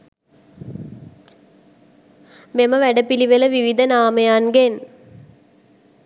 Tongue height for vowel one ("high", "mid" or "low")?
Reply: mid